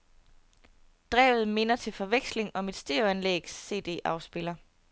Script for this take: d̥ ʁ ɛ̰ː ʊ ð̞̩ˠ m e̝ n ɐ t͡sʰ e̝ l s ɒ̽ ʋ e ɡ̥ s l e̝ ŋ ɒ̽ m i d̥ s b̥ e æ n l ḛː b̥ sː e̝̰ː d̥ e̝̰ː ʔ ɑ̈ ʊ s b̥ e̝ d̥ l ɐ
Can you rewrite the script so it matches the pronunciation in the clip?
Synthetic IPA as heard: d̥ ʁ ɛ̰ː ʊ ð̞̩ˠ m e̝ n ɐ t͡sʰ e̝ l f ɒ̽ ʋ e ɡ̥ s l e̝ ŋ ɒ̽ m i d̥ s d̥ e æ n l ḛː ɡ̥ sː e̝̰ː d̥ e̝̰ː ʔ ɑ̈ ʊ s b̥ e̝ l ɐ